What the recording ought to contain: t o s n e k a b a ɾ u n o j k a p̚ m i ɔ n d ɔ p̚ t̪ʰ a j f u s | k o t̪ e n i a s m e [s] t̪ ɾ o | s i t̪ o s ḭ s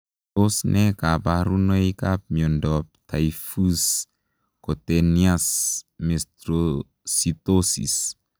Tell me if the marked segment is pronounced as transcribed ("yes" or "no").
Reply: yes